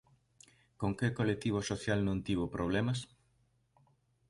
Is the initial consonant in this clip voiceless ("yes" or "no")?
yes